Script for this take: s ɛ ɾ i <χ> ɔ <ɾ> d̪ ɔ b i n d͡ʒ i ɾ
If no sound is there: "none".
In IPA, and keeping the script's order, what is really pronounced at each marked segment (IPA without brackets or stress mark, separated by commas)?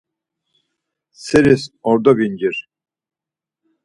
s, ɾ